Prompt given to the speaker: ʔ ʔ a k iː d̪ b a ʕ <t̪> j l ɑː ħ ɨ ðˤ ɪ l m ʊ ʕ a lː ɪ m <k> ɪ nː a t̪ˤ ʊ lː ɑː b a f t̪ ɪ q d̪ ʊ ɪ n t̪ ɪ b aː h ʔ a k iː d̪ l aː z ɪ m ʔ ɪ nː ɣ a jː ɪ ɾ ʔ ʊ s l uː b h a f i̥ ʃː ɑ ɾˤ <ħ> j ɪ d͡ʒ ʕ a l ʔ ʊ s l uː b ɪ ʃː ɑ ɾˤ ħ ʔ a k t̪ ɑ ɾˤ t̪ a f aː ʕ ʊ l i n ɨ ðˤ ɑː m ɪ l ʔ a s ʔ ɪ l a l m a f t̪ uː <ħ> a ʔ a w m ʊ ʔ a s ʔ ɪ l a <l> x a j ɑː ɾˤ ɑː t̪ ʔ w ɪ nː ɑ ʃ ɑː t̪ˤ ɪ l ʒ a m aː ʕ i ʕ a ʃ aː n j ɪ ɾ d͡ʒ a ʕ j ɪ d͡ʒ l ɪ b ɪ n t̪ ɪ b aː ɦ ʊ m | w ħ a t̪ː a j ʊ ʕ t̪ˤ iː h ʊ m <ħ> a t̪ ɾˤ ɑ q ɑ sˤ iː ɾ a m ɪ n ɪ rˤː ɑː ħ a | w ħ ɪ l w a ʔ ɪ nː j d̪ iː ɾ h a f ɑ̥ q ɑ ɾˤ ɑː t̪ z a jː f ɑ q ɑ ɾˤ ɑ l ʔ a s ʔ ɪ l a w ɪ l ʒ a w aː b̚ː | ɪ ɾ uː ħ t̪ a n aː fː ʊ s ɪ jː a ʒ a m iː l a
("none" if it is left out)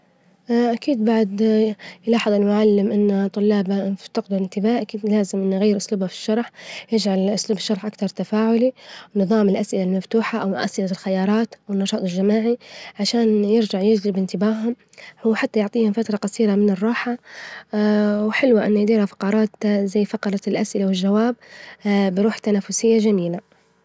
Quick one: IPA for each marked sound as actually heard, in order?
d̪, ʔ, ħ, ħ, l, f

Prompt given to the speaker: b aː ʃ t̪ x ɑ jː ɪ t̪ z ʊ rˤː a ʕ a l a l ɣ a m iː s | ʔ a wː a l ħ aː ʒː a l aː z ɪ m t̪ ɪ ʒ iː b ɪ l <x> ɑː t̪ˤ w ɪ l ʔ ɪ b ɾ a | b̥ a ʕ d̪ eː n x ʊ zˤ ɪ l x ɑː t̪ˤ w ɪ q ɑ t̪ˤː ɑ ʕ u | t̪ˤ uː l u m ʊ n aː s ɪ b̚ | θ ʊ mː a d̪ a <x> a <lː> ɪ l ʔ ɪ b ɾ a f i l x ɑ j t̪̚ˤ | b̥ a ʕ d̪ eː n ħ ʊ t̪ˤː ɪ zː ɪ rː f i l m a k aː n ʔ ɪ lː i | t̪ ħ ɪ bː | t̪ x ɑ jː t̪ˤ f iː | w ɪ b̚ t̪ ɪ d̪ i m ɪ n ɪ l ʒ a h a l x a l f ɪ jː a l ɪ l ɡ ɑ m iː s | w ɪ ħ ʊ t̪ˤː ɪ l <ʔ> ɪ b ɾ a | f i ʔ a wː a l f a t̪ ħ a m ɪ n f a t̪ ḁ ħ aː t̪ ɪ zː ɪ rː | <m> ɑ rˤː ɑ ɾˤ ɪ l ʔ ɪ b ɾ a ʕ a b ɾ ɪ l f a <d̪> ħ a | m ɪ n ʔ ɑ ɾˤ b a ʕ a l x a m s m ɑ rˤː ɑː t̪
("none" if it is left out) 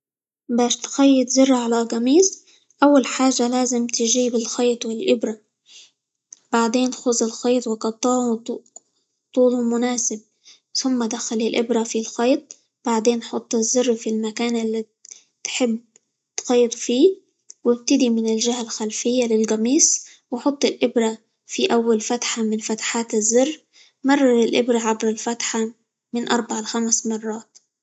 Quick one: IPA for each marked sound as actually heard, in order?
x, x, l, ʔ, m, t̪

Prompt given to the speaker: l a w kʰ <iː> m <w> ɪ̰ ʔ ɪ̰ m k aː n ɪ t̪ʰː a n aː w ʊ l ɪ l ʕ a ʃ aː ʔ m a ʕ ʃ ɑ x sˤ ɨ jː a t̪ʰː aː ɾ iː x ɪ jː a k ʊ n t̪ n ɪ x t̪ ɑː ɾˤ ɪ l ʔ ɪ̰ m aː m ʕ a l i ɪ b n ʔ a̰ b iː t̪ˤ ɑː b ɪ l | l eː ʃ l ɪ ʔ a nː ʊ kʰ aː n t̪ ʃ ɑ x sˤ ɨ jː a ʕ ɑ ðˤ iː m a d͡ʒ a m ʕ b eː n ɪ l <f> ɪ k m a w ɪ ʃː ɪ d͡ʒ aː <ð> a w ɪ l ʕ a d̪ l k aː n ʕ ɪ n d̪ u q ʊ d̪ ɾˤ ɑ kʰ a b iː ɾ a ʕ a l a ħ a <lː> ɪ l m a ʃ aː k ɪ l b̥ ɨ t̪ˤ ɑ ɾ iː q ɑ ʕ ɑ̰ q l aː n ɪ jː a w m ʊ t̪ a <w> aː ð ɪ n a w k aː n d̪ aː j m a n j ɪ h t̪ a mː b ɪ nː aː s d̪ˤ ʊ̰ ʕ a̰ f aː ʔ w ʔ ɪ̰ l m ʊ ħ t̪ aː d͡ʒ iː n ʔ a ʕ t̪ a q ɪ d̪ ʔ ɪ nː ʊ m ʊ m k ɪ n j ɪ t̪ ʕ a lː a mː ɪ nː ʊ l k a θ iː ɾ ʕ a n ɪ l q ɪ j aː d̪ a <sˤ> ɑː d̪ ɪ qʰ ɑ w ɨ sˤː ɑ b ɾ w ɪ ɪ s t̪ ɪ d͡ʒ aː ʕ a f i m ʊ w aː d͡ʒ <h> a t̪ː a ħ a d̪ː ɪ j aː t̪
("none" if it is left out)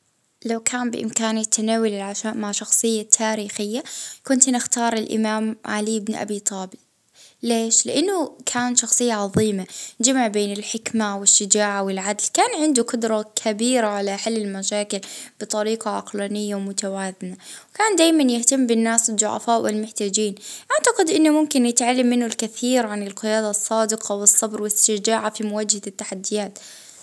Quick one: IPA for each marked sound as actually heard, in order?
aː, b, ħ, ʕ, lː, w, sˤː, h

